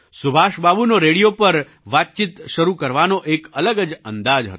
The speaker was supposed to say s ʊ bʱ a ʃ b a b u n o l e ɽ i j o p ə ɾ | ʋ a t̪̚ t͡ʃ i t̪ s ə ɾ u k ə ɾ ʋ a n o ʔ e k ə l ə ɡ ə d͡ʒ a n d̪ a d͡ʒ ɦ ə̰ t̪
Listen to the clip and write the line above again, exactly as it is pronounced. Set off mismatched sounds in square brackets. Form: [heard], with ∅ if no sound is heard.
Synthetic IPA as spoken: s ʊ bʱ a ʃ b a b u n o [ɾ] e ɽ i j o p ə ɾ | ʋ a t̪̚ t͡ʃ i t̪ [ʃ] ə ɾ u k ə ɾ ʋ a n o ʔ e k ə l ə ɡ ə d͡ʒ [ə] n d̪ a d͡ʒ ɦ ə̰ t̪